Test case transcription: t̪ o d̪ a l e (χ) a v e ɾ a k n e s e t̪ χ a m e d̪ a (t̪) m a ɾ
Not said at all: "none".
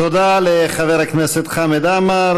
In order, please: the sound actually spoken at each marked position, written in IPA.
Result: χ, none

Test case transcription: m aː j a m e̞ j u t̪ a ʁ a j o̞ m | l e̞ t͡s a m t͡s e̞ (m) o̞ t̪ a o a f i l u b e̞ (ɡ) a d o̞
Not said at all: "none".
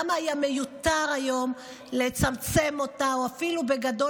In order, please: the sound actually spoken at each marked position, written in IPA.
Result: m, ɡ

